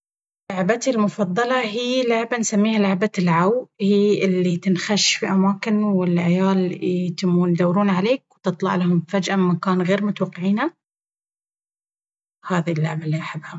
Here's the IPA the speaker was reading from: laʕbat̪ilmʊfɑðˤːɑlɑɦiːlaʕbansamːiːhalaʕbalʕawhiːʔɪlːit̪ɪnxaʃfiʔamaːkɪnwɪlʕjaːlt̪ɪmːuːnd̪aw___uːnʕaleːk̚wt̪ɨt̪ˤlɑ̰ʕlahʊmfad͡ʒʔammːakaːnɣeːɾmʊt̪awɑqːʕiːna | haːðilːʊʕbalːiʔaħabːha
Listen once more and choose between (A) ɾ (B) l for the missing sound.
A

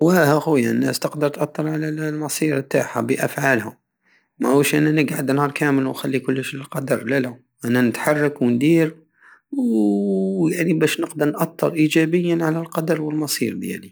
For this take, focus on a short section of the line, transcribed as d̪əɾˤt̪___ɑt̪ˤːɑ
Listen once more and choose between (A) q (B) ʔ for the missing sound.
B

